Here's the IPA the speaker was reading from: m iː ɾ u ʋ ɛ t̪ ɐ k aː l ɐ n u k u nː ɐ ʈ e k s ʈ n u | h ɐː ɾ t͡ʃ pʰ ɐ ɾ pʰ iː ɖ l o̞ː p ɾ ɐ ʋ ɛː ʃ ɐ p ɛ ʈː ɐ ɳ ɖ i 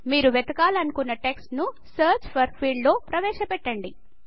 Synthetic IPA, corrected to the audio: m iː ɾ u ʋ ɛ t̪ ɐ k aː l ɐ n u k u nː ɐ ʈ e k s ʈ n u | s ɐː ɾ t͡ʃ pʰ ɐ ɾ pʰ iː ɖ l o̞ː p ɾ ɐ ʋ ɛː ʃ ɐ p ɛ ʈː ɐ ɳ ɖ i